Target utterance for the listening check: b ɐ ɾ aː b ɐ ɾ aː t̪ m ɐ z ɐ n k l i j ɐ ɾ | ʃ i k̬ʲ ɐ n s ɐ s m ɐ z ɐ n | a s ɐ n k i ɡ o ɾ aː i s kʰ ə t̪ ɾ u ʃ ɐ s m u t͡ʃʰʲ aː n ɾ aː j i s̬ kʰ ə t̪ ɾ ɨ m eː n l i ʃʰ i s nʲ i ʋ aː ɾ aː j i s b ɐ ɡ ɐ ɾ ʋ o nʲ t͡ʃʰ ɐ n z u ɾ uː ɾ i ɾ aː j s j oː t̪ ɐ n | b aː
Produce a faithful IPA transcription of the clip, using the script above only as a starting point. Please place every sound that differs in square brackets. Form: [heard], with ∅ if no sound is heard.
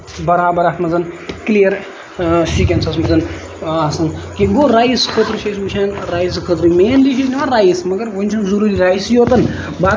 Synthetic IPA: b ɐ ɾ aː b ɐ ɾ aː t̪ m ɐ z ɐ n k l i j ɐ ɾ | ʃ i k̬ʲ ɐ n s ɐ s m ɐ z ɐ n | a s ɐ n k i ɡ o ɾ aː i s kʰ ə t̪ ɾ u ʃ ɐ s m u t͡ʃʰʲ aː n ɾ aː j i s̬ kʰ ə t̪ ɾ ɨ m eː n l i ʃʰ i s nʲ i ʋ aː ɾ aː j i s [m] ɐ ɡ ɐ ɾ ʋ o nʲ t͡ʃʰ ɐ n z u ɾ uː ɾ i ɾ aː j s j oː t̪ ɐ n | b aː